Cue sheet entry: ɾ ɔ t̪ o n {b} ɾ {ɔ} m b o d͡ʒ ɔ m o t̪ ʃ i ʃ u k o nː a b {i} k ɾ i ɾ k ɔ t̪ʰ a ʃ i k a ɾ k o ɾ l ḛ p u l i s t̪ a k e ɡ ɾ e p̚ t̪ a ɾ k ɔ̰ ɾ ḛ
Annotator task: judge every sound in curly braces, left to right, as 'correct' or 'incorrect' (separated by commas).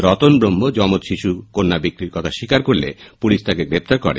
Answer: correct, incorrect, correct